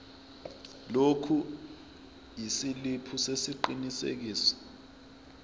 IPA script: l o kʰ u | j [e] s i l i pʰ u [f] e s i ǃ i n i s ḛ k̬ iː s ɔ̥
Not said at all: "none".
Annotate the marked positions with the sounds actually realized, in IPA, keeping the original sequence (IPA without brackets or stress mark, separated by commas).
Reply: i, s